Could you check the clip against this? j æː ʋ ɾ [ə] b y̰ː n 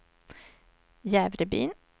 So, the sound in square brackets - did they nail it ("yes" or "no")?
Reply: yes